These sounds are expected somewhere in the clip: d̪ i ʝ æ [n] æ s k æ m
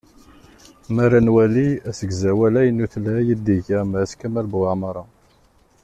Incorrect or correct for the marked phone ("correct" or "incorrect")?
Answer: incorrect